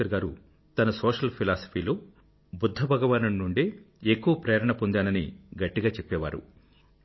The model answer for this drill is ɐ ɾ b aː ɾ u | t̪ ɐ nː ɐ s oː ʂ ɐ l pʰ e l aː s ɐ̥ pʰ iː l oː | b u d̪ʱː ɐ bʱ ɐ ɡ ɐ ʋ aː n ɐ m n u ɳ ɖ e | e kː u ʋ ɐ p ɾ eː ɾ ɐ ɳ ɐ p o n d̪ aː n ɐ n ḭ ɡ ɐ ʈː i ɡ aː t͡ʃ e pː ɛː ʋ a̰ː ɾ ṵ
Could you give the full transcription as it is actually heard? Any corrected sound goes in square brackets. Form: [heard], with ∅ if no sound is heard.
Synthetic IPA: ɐ ɾ [ɡ] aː ɾ u | t̪ ɐ [n] ɐ s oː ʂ ɐ l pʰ [i] l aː s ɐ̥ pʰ iː l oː | b u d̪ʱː ɐ bʱ ɐ ɡ ɐ ʋ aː n ɐ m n u ɳ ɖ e | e kː u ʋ ɐ p ɾ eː ɾ ɐ ɳ ɐ p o n d̪ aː n ɐ n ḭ ɡ ɐ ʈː i ɡ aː t͡ʃ e pː ɛː ʋ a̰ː ɾ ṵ